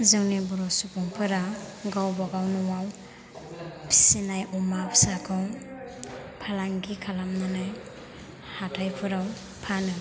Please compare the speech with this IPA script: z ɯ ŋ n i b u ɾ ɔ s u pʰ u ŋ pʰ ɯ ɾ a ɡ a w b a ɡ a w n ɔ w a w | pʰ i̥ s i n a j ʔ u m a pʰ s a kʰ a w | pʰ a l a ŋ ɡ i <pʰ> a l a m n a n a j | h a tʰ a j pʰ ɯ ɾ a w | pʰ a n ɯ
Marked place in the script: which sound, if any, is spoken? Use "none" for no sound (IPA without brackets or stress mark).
kʰ